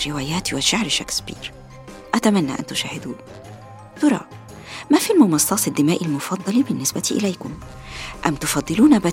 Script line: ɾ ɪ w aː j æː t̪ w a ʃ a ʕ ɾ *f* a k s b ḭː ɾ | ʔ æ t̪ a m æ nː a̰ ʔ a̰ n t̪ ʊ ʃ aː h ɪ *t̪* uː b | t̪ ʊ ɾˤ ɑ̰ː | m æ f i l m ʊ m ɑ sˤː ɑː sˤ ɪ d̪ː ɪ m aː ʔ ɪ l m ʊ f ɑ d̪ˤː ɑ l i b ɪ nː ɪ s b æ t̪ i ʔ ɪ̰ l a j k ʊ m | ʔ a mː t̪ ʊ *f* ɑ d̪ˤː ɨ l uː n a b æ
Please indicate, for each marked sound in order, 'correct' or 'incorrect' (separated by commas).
incorrect, incorrect, correct